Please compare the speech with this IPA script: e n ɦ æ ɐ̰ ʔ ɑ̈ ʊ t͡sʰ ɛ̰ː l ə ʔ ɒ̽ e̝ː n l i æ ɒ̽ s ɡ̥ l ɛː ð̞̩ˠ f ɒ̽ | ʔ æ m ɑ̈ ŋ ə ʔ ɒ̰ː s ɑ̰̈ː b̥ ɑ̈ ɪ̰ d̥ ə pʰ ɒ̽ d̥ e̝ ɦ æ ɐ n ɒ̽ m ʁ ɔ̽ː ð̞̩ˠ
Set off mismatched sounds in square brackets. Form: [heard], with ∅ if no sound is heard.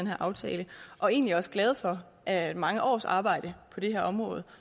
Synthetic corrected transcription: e n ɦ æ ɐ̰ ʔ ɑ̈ ʊ t͡sʰ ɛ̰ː l ə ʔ ɒ̽ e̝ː n l i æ ɒ̽ s ɡ̥ l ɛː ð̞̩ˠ f ɒ̽ | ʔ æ m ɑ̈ ŋ ə ʔ ɒ̰ː s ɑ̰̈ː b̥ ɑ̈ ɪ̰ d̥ ə pʰ ɒ̽ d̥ e̝ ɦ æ ɐ [∅] ɒ̽ m ʁ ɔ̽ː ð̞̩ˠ